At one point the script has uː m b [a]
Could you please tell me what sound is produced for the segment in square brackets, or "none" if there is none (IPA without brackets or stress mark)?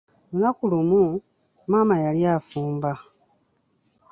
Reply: a